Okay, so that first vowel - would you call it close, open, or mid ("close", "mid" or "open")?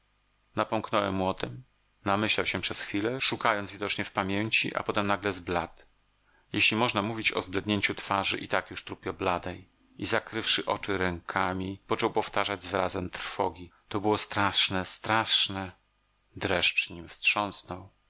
open